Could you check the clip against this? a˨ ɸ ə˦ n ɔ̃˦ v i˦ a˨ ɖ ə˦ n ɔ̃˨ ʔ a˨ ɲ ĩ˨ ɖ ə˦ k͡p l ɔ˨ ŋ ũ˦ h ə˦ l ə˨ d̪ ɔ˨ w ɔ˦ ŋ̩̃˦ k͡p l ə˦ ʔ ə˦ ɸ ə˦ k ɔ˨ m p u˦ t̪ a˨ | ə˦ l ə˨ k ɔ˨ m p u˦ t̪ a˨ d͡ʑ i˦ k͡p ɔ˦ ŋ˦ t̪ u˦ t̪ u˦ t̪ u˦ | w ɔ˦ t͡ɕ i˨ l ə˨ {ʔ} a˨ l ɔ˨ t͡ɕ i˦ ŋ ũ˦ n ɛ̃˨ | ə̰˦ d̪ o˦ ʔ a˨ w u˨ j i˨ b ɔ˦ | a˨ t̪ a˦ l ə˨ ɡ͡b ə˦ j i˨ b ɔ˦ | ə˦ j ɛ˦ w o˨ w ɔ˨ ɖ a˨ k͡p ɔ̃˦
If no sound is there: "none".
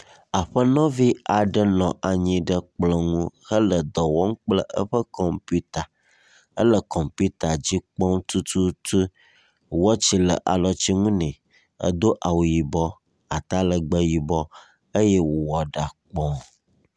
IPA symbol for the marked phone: ʔ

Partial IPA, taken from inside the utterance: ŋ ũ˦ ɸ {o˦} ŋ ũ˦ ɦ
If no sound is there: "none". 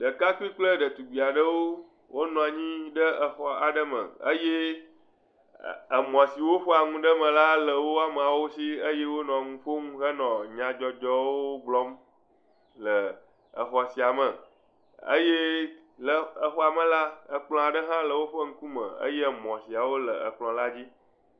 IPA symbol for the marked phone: o˦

